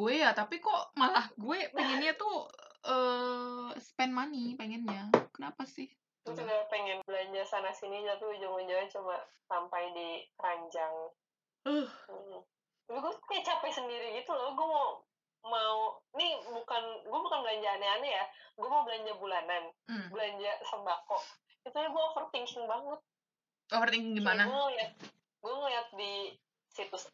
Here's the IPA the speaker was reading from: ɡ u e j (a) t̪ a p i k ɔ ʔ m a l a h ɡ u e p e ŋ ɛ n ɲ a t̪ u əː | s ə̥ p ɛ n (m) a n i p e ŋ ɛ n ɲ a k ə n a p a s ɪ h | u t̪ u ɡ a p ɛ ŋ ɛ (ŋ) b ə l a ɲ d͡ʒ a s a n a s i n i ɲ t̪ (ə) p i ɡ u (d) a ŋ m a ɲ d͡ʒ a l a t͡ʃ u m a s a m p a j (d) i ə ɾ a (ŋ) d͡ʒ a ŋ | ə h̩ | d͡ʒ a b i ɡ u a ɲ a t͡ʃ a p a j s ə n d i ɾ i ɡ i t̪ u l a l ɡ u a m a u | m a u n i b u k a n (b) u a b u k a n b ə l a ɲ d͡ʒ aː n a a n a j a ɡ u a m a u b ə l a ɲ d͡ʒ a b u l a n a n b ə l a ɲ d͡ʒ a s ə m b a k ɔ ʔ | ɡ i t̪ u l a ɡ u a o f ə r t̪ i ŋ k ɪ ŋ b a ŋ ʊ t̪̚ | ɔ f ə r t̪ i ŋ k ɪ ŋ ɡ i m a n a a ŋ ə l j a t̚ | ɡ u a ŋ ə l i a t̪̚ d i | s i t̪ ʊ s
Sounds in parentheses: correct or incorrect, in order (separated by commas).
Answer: correct, correct, incorrect, incorrect, incorrect, correct, incorrect, incorrect